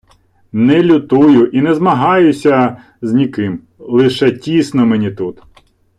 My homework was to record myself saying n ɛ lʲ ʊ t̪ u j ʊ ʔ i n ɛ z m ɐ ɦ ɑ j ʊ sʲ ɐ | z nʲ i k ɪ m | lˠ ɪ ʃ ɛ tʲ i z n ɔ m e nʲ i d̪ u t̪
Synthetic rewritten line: n ɛ lʲ ʊ t̪ u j ʊ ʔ i n ɛ z m ɐ ɦ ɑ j ʊ sʲ ɐ | z nʲ i k ɪ m | lˠ ɪ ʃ ɛ tʲ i s n ɔ m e nʲ i t̪ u t̪